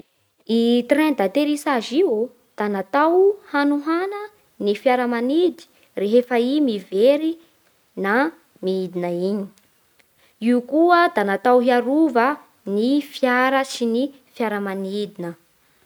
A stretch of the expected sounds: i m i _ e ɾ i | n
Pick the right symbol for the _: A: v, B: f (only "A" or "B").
A